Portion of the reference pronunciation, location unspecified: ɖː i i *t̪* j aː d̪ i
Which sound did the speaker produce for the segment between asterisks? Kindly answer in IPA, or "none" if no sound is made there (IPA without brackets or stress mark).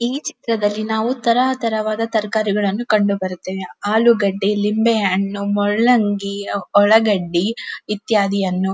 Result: t̪